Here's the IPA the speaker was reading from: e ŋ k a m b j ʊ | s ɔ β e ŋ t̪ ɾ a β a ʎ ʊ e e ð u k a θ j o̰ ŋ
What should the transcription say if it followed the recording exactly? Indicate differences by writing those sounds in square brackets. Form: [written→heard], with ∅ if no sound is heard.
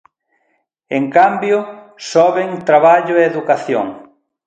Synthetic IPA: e ŋ k a m b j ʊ | s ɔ β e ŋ t̪ ɾ a β a ʎ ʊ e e ð u k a θ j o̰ ŋ

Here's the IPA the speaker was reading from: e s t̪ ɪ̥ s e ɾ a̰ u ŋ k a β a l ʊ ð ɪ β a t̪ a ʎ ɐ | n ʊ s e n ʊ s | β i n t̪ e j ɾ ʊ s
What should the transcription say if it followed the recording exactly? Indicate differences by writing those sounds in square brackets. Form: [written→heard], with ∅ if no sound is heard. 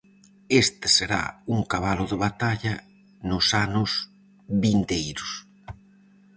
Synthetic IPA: e s t̪ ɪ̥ s e ɾ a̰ u ŋ k a β a l ʊ ð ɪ β a t̪ a ʎ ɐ | n ʊ s [e→a] n ʊ s | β i n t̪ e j ɾ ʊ s

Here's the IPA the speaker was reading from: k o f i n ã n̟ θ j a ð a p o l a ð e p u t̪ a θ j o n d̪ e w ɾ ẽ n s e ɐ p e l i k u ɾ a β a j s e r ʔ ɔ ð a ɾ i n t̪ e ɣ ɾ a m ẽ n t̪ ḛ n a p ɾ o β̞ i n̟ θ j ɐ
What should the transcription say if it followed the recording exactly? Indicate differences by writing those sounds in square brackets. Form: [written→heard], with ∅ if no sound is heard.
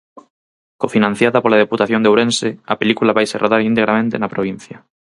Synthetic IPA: k o f i n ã n̟ θ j a ð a p o l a ð e p u t̪ a θ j o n d̪ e w ɾ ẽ n s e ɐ p e l i k u [ɾ→l] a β a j s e r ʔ [ɔ→o] ð a ɾ i n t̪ e ɣ ɾ a m ẽ n t̪ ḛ n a p ɾ o β̞ i n̟ θ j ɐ

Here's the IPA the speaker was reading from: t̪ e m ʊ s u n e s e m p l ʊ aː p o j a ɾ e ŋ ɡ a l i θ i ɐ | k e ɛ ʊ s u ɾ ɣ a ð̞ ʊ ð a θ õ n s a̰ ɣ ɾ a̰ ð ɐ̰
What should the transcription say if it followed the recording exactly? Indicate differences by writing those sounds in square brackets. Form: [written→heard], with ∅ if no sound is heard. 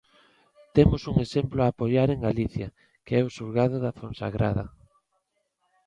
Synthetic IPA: t̪ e m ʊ s u [n→ŋ] e s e m p l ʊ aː p o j a ɾ e ŋ ɡ a l i θ [i→j] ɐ | k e ɛ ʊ s u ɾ ɣ a ð̞ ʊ ð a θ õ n s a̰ ɣ ɾ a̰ ð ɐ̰

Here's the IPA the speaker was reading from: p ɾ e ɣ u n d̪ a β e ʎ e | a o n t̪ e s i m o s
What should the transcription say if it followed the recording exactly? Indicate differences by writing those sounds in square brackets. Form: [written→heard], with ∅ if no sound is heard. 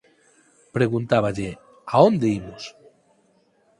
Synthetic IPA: p ɾ e ɣ u n [d̪→t̪] a β [e→a] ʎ e | a o n [t̪→d̪] e [s→∅] i m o s

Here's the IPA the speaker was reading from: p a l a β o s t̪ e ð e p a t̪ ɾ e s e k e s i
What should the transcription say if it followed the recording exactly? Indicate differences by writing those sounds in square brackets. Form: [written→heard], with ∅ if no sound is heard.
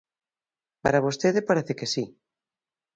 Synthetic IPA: p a [l→ɾ] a β o s t̪ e ð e p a [t̪→∅] ɾ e [s→θ] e k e s i

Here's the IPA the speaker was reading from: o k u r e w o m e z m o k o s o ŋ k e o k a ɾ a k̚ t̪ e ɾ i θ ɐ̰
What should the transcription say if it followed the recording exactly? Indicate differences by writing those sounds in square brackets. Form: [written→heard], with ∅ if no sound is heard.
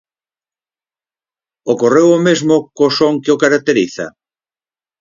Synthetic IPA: o k [u→o] r e w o m e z m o k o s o ŋ k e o k a ɾ a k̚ t̪ e ɾ i θ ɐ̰

